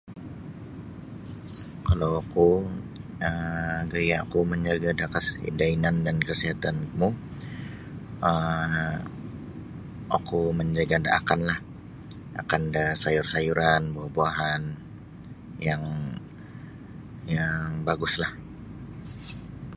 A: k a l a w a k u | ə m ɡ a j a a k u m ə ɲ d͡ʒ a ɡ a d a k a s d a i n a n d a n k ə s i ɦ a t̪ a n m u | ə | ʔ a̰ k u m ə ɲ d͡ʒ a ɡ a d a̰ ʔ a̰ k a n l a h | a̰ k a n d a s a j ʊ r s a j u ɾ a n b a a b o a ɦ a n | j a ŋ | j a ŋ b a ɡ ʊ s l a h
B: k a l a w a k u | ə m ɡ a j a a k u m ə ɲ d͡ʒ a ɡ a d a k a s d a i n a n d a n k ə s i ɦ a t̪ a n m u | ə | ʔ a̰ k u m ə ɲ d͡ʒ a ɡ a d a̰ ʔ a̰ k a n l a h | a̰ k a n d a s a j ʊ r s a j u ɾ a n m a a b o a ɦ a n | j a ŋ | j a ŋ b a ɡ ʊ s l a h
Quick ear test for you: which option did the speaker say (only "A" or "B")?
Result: A